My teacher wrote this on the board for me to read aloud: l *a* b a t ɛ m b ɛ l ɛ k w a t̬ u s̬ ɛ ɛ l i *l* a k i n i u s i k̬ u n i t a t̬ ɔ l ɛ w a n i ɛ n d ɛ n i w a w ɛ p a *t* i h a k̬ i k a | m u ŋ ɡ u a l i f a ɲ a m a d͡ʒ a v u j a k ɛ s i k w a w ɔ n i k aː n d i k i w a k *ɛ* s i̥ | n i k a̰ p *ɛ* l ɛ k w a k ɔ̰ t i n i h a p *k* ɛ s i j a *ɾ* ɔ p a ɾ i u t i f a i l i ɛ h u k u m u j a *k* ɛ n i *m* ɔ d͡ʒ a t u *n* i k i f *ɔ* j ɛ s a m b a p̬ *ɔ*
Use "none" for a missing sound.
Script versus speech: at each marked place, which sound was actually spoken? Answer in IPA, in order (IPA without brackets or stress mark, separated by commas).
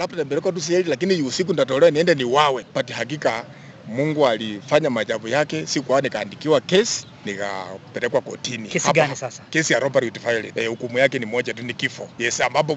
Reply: a, l, t, ɛ, ɛ, k, ɾ, k, m, n, ɔ, ɔ